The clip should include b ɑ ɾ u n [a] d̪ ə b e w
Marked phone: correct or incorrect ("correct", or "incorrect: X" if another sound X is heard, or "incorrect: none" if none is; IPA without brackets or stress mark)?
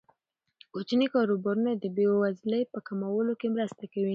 correct